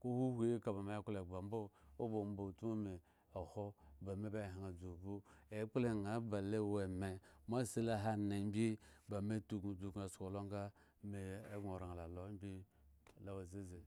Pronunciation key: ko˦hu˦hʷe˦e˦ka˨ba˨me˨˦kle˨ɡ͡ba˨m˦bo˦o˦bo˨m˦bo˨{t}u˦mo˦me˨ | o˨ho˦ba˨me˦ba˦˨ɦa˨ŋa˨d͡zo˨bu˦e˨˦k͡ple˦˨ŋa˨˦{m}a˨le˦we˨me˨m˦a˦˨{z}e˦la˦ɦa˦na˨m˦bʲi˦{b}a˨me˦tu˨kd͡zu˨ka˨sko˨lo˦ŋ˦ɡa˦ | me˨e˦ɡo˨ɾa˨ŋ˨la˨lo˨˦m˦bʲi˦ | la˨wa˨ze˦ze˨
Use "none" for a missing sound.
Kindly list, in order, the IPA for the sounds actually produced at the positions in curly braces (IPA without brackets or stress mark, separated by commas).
t, b, s, b